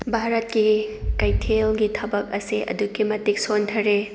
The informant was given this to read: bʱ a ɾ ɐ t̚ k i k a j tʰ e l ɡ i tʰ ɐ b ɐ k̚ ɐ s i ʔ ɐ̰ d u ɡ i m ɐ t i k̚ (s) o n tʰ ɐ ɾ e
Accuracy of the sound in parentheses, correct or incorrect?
correct